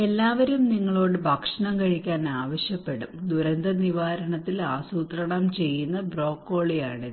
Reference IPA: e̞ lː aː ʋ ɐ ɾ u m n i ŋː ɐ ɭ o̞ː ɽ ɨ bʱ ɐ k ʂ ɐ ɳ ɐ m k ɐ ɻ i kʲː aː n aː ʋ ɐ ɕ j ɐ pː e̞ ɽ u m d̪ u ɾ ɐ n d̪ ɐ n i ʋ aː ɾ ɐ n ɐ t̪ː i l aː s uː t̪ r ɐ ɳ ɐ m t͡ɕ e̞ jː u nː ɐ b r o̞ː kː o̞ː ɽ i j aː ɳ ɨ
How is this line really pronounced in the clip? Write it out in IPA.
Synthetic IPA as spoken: e̞ lː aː ʋ ɐ ɾ u m n i ŋː ɐ ɭ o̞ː ɽ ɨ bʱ ɐ k ʂ ɐ ɳ ɐ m k ɐ ɻ i kʲː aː n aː ʋ ɐ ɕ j ɐ pː e̞ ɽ u m d̪ u ɾ ɐ n d̪ ɐ n i ʋ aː ɾ ɐ ɳ ɐ t̪ː i l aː s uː t̪ r ɐ ɳ ɐ m t͡ɕ e̞ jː u nː ɐ b r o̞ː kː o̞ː ɭ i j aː ɳ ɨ